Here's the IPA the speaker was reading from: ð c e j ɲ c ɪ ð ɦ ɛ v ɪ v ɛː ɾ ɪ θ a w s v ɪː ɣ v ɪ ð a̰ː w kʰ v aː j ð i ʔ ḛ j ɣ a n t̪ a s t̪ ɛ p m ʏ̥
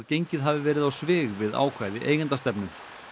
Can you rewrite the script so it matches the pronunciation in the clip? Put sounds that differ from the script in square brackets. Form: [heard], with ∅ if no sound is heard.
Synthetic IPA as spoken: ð c e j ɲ c ɪ ð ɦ [a] v ɪ v ɛː ɾ ɪ [ð] a w s v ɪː ɣ v ɪ ð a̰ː w kʰ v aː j ð [ɪ] ʔ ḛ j ɣ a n t̪ a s t̪ ɛ p [n] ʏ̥